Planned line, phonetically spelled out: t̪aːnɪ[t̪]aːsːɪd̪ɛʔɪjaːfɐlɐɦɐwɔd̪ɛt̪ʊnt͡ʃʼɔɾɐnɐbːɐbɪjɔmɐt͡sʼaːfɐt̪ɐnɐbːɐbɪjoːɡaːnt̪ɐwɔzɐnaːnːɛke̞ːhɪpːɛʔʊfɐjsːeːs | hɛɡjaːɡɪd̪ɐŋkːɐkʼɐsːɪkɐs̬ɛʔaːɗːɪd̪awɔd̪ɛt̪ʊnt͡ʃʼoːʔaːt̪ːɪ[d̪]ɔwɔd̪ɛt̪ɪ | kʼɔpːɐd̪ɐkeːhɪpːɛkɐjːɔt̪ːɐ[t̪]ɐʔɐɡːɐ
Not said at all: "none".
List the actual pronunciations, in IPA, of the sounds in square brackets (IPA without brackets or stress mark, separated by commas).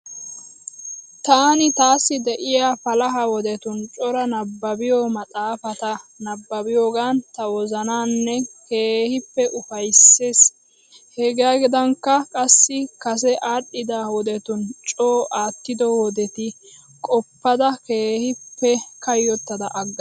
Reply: t̪, d̪, d̪